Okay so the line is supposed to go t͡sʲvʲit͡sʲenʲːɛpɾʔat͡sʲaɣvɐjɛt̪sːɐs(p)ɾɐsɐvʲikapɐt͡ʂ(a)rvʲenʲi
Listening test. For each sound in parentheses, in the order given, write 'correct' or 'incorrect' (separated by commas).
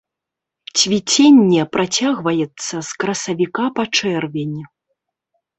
incorrect, incorrect